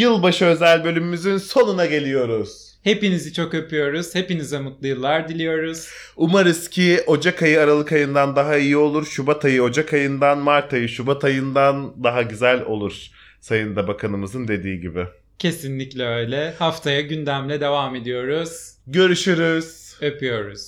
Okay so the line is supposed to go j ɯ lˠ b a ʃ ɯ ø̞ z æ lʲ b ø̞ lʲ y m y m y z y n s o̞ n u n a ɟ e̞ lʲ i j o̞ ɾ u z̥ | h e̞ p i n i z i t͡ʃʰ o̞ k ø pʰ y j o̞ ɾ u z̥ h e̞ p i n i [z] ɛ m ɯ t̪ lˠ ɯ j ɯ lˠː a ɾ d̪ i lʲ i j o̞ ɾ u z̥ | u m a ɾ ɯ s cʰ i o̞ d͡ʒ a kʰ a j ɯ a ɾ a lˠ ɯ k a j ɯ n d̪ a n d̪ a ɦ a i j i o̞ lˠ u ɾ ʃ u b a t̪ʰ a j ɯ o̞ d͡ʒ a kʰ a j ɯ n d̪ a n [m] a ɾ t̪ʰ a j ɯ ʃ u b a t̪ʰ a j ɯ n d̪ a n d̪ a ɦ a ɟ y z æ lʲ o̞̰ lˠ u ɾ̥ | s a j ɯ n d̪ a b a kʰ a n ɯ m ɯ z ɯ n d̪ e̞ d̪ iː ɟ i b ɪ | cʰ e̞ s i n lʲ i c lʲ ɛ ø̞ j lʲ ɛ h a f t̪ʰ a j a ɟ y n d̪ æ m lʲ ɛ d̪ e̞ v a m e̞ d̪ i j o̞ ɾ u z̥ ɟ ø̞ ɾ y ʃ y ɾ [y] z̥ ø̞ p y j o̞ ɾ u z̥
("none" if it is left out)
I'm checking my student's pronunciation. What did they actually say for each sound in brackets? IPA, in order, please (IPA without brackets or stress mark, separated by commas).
z, m, y